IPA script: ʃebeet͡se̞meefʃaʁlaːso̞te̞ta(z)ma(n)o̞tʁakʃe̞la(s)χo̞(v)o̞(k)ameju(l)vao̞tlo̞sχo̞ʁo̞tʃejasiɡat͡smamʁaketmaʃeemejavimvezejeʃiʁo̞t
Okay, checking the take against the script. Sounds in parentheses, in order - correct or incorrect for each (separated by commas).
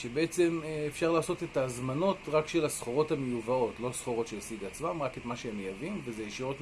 correct, correct, correct, incorrect, incorrect, incorrect